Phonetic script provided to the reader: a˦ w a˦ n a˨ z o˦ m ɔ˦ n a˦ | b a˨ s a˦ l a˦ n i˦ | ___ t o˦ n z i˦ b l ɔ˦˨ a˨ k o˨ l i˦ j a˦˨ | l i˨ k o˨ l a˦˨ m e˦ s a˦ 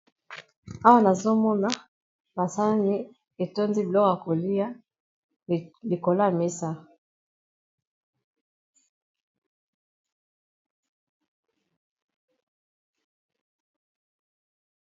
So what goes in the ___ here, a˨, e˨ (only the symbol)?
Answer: e˨